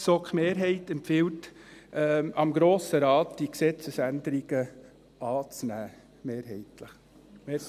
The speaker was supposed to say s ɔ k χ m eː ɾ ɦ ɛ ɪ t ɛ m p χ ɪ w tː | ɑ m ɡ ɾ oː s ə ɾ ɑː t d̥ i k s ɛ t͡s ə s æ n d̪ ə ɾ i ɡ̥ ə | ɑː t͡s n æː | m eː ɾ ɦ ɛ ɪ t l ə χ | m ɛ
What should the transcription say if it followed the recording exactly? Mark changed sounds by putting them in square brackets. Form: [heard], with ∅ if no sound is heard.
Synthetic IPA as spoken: s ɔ k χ m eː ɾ ɦ ɛ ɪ t ɛ m p [f] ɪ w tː | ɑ m ɡ ɾ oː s ə ɾ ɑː t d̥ i k s ɛ t͡s ə s æ n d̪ ə ɾ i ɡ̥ ə | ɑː t͡s n æː | m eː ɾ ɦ ɛ ɪ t l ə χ | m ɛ